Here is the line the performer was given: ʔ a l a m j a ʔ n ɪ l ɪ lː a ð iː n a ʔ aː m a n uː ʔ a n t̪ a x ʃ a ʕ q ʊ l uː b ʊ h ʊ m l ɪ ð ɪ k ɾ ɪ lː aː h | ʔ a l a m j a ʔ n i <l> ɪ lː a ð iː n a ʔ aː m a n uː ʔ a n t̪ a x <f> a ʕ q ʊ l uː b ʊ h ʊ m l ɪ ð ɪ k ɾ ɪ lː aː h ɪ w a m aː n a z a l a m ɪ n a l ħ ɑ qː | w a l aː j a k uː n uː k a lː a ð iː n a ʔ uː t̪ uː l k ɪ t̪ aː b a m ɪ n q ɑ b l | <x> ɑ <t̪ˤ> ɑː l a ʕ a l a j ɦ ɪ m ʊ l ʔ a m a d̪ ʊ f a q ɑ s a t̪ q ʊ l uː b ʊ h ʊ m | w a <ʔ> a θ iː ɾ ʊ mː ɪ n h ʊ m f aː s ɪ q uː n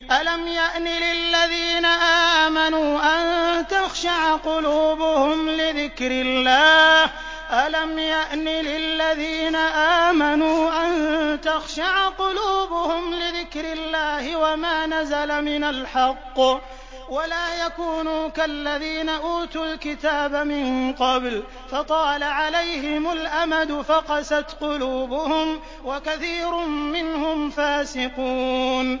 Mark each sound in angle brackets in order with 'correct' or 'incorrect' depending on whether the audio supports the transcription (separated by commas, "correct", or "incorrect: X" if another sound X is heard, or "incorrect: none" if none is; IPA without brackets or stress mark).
correct, incorrect: ʃ, incorrect: f, correct, incorrect: k